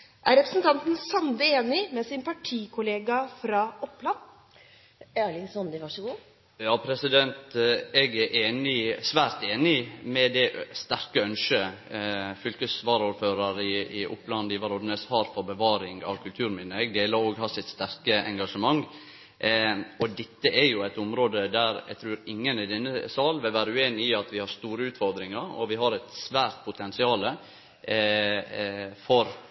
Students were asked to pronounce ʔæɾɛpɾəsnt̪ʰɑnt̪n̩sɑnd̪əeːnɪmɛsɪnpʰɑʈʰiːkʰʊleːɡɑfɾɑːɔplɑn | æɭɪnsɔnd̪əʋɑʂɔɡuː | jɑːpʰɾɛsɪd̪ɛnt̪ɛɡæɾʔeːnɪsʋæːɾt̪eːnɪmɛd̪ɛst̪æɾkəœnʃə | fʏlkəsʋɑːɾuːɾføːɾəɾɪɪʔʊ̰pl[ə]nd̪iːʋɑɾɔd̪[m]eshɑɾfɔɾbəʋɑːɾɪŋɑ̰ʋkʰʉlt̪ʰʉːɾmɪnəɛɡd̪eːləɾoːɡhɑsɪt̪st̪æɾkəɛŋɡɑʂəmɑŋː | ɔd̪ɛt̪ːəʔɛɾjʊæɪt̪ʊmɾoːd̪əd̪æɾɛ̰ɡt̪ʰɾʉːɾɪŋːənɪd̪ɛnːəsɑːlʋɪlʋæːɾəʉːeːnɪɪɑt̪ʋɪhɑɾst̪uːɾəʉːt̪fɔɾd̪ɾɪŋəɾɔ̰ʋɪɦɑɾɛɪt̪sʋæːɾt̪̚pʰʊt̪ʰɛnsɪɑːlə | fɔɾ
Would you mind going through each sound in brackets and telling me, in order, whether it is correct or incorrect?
incorrect, incorrect

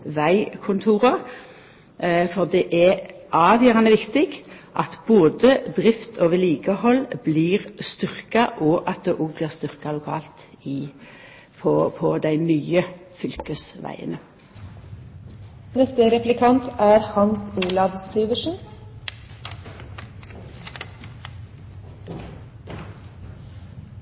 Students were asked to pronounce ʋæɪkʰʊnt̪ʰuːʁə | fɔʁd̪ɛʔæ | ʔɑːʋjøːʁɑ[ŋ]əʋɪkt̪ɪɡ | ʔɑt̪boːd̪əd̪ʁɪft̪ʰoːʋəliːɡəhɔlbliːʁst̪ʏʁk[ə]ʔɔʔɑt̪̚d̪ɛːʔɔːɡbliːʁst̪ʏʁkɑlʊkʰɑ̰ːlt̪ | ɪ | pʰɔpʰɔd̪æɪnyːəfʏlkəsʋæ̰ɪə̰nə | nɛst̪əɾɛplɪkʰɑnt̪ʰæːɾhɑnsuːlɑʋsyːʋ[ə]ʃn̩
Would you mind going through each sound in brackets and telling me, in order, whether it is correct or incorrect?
incorrect, incorrect, correct

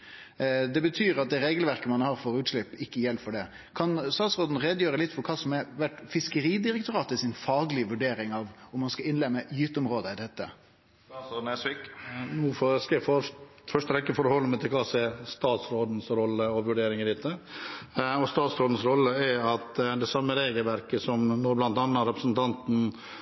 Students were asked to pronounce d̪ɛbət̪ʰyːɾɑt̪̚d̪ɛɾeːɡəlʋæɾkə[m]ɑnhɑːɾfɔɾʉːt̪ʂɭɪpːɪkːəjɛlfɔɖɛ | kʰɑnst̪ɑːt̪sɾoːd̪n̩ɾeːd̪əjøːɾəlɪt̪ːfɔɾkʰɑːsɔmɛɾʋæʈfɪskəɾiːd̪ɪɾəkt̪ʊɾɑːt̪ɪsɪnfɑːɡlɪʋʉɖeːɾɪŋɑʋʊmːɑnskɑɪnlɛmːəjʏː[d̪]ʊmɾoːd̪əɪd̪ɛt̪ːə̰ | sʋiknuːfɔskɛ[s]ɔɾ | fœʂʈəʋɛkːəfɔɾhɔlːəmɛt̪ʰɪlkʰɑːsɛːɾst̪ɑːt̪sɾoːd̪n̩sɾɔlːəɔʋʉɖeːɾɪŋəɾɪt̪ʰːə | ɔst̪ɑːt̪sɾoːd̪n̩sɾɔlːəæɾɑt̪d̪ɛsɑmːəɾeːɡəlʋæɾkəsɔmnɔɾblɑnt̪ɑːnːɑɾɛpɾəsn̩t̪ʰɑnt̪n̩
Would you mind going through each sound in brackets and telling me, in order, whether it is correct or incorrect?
correct, incorrect, incorrect

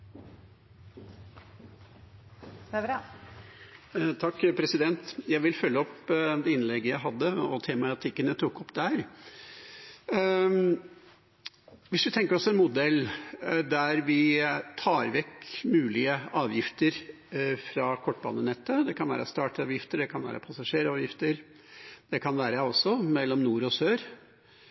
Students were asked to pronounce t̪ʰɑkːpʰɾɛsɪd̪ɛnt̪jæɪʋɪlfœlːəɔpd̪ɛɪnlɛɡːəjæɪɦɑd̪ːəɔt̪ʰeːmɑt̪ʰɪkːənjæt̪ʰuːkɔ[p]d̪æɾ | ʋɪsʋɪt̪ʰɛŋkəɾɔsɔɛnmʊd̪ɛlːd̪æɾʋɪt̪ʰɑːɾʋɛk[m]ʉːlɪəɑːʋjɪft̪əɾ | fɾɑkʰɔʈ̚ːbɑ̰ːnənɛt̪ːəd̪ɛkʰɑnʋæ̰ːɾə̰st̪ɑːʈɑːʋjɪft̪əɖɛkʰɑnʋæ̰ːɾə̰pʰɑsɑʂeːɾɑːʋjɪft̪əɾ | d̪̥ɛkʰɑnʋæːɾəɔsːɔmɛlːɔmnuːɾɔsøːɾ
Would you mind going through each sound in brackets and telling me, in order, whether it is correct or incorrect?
correct, correct

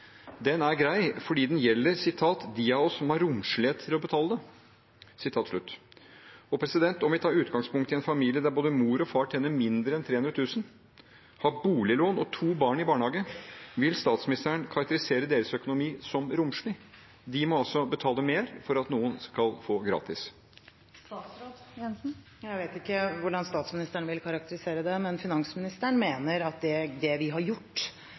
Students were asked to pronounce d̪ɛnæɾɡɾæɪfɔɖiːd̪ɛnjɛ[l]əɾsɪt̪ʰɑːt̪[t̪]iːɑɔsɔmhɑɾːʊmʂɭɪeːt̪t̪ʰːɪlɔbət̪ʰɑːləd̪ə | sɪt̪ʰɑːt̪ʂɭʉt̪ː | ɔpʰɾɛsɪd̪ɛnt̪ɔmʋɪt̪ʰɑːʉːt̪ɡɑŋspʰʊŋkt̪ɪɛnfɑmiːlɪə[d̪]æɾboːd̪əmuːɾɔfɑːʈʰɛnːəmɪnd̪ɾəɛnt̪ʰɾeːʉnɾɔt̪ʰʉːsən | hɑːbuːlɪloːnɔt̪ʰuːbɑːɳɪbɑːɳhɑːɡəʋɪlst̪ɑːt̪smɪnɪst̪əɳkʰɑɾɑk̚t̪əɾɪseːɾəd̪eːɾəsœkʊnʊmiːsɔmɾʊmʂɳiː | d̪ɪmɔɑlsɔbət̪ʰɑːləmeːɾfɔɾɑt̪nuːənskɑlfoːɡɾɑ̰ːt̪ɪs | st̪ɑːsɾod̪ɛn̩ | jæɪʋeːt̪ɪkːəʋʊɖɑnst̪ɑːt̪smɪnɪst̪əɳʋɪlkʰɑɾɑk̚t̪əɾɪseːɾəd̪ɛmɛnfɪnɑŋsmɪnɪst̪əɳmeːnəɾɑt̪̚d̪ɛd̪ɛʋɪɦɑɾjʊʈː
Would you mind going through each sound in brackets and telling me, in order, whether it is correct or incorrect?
incorrect, incorrect, correct

